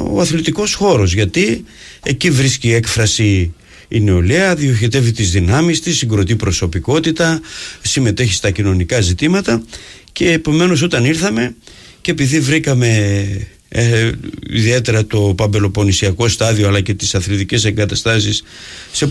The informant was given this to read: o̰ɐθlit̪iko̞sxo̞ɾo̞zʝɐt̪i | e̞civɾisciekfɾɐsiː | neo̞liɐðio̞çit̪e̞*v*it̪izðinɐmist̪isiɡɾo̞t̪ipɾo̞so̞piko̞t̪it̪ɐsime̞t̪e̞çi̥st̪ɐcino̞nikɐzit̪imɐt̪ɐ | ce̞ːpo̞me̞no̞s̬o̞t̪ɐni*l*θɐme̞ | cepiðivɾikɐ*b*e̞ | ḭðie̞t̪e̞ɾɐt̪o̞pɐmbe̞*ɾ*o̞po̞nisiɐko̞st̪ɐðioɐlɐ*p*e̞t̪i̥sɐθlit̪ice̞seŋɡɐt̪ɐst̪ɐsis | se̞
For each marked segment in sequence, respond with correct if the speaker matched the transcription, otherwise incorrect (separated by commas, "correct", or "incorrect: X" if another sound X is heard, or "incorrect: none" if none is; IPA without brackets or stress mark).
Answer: correct, incorrect: ɾ, incorrect: m, incorrect: l, incorrect: c